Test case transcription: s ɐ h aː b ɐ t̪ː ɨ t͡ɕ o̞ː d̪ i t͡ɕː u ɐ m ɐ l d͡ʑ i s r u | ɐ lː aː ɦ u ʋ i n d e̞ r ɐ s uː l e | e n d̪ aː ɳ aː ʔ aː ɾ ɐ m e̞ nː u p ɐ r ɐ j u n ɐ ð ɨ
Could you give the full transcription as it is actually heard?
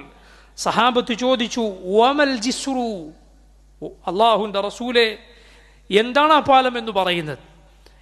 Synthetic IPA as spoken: s ɐ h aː b ɐ t̪ː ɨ t͡ɕ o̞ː d̪ i t͡ɕː u ɐ m ɐ l d͡ʑ i s r u | ɐ lː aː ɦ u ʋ i n d e̞ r ɐ s uː l e | e n d̪ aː ɳ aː p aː l ɐ m e̞ nː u p ɐ r ɐ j u nː ɐ ð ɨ